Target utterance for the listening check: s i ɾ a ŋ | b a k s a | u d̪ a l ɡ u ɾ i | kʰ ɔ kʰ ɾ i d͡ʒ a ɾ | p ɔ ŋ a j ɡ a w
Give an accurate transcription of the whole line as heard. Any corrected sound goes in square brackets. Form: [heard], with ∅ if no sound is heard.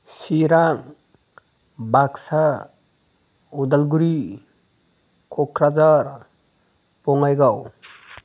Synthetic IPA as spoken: s i ɾ a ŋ | b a k s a | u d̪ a l ɡ u ɾ i | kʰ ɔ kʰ ɾ [a] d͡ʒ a ɾ | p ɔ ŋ a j ɡ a w